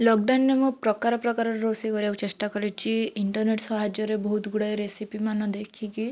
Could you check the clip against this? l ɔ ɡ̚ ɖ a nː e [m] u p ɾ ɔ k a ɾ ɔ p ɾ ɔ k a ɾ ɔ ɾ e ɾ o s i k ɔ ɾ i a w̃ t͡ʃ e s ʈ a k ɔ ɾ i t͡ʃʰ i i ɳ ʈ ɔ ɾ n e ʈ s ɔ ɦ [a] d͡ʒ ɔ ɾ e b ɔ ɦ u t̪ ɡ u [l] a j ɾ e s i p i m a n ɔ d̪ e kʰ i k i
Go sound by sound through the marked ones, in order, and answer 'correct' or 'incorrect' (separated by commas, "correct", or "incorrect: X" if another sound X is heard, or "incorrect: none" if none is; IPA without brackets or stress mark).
correct, correct, incorrect: ɽ